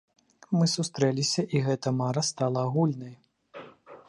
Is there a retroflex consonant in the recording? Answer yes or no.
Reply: no